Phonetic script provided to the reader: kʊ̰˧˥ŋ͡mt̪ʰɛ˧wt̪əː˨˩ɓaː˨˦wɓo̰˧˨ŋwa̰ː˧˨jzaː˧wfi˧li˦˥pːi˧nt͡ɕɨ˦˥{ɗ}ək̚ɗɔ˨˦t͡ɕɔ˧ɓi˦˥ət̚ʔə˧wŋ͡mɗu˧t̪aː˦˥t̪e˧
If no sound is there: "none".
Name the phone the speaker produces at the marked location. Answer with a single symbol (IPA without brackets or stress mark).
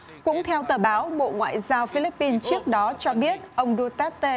none